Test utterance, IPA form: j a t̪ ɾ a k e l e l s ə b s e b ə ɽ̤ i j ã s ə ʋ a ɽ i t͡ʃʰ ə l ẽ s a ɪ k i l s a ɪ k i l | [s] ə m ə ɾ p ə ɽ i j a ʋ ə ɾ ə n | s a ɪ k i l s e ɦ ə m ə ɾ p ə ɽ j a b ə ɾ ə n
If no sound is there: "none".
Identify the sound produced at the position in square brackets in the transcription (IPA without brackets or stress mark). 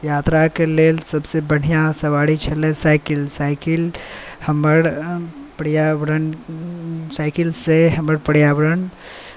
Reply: h